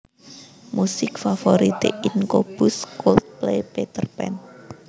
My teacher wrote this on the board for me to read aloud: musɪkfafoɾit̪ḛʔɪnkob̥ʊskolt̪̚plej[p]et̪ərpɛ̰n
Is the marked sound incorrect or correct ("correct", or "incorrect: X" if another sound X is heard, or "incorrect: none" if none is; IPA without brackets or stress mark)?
correct